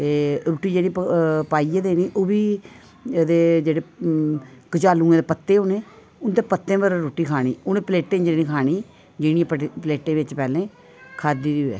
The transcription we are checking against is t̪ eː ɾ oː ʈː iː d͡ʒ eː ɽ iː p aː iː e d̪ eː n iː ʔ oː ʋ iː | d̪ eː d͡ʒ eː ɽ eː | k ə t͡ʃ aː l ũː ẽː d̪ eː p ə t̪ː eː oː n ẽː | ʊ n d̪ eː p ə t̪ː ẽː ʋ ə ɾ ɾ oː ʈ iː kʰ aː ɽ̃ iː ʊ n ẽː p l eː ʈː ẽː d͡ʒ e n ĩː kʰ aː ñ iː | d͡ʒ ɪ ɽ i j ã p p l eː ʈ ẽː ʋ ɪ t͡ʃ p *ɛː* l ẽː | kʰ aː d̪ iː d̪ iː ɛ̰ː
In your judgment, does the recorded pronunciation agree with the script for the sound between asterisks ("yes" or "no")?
yes